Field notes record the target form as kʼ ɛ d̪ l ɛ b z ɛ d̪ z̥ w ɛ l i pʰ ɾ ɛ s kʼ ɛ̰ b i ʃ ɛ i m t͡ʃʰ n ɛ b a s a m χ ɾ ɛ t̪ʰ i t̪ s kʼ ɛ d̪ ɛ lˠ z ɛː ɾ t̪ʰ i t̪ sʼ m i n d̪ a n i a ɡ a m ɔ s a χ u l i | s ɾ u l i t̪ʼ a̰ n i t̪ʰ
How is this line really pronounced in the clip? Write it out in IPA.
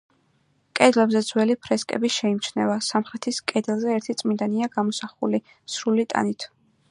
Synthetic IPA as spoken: kʼ ɛ d̪ l ɛ b z ɛ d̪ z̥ w ɛ l i pʰ ɾ ɛ s kʼ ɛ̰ b i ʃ ɛ i m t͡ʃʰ n ɛ v a s a m χ ɾ ɛ t̪ʰ i s kʼ ɛ d̪ ɛ lˠ z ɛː ɾ t̪ʰ i t̪ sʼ m i n d̪ a n i a ɡ a m ɔ s a χ u l i | s ɾ u l i t̪ʼ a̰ n i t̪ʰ